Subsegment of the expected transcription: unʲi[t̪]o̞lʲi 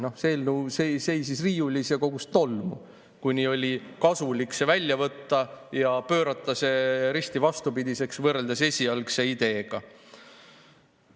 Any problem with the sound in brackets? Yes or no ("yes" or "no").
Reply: yes